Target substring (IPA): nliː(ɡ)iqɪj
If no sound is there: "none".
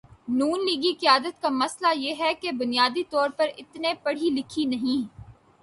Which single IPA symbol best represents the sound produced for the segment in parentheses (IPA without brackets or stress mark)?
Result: ɡ